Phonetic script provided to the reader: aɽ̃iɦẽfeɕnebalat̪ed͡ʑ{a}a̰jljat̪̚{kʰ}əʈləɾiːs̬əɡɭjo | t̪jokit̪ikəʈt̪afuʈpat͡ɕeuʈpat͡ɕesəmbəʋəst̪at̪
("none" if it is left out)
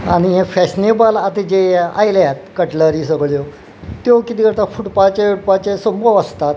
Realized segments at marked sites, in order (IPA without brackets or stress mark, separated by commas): e, k